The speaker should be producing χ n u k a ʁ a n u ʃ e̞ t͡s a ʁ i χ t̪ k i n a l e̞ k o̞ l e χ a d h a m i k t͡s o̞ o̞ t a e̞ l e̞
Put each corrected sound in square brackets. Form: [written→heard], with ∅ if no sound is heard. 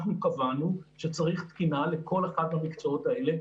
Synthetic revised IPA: χ n u k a [ʁ→v] a n u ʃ e̞ t͡s a ʁ i χ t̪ k i n a l e̞ k o̞ l e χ a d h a m i k t͡s o̞ o̞ t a e̞ l e̞